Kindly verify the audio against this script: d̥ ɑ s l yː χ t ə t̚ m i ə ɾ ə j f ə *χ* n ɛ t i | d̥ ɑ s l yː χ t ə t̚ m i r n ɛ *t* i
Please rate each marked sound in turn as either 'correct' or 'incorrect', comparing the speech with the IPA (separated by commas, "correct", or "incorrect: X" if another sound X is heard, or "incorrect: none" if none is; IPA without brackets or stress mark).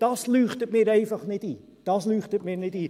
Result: correct, correct